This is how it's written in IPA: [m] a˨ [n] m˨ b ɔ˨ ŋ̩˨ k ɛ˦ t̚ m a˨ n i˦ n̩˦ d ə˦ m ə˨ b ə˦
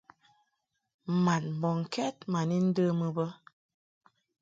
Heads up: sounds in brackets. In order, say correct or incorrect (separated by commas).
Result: correct, correct